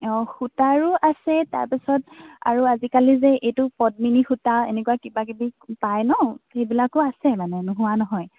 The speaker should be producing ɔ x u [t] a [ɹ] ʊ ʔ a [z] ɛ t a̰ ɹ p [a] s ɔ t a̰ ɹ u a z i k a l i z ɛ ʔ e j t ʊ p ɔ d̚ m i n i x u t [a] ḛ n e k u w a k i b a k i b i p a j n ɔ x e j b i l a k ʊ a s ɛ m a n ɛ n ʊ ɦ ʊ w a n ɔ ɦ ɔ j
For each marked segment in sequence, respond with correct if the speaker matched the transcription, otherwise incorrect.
correct, correct, incorrect: s, incorrect: i, correct

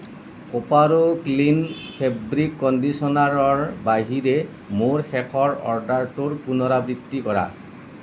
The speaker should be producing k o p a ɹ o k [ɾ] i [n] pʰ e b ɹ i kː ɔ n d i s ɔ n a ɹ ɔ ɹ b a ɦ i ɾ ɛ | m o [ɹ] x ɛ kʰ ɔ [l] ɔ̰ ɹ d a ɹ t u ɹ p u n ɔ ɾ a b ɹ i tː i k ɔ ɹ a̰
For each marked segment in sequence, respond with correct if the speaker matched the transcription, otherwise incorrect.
incorrect: l, correct, correct, incorrect: ɹ

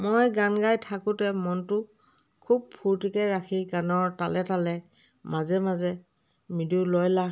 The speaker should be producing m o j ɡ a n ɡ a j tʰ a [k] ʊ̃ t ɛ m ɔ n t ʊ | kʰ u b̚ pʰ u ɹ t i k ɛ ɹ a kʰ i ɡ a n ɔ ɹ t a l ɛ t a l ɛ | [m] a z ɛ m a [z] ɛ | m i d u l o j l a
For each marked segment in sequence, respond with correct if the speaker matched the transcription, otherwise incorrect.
correct, correct, correct

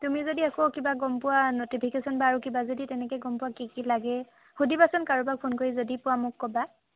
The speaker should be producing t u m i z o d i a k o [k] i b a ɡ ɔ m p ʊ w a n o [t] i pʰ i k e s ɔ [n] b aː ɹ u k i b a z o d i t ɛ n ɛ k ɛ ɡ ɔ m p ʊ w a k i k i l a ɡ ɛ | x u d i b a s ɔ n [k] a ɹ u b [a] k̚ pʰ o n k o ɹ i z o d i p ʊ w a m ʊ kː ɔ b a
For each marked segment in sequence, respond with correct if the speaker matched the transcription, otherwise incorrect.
correct, correct, correct, correct, correct

